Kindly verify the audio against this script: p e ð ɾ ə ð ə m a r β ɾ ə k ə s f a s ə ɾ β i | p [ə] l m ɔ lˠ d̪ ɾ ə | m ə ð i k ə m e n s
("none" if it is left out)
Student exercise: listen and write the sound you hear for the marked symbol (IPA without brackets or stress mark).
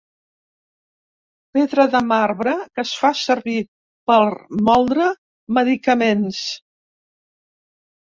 ə